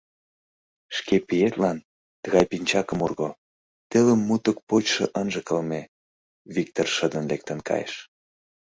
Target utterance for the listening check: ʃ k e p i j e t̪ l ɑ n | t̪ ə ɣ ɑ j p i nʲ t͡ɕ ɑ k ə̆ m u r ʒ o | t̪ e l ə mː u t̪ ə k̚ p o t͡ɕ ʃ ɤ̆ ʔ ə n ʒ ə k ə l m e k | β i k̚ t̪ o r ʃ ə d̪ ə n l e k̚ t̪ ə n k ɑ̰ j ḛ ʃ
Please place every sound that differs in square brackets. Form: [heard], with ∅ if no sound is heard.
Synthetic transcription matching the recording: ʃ k e p i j e t̪ l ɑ n | t̪ ə ɣ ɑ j p i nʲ t͡ɕ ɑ k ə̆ m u r [ɣ] o | t̪ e l ə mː u t̪ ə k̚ p o t͡ɕ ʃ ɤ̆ ʔ ə n ʒ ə k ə l m e [∅] | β i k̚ t̪ o r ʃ ə d̪ ə n l e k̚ t̪ ə n k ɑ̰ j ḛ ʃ